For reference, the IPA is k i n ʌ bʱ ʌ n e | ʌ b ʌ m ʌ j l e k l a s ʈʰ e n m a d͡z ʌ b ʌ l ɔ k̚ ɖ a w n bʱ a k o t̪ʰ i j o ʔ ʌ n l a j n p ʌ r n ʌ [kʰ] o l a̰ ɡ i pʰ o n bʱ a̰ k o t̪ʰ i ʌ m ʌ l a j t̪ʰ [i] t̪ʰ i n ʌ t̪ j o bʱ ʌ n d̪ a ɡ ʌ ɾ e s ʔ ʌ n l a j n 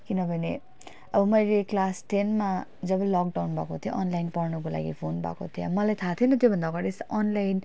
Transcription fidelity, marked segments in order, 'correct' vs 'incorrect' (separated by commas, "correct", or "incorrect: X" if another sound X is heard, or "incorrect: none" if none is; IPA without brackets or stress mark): incorrect: k, incorrect: a